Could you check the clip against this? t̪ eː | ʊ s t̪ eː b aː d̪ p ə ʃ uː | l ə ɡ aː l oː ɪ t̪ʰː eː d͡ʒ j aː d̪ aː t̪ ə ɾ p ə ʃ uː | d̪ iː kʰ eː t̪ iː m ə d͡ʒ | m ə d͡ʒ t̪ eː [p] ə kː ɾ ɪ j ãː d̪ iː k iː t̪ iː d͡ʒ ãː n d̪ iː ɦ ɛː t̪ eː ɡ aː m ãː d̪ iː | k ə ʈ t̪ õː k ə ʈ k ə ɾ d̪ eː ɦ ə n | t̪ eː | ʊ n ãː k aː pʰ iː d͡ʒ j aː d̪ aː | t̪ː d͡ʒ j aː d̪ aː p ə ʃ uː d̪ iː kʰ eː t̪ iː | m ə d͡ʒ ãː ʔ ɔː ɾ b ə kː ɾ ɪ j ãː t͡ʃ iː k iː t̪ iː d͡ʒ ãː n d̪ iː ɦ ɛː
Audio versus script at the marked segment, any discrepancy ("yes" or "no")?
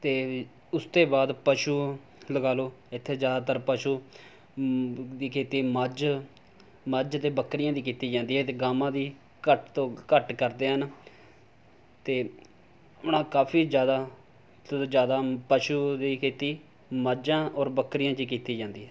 yes